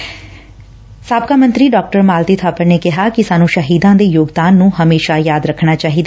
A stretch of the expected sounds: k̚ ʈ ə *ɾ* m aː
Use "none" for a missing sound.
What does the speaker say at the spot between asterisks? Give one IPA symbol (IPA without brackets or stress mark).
ɾ